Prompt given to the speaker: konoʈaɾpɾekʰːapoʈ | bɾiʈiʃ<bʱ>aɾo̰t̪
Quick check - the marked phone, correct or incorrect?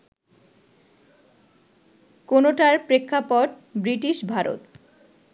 correct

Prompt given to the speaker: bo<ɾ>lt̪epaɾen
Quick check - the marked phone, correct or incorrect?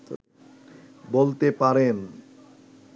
incorrect: none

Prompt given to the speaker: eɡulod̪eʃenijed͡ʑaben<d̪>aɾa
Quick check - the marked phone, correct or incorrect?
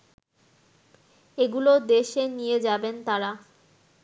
incorrect: t̪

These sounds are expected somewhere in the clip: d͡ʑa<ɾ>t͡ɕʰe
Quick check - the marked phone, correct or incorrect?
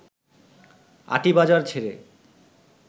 correct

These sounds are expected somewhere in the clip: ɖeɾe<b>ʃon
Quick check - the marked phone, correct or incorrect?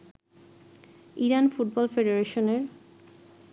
incorrect: none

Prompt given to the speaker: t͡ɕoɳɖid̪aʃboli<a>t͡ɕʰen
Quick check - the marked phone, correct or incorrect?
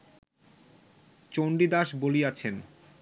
correct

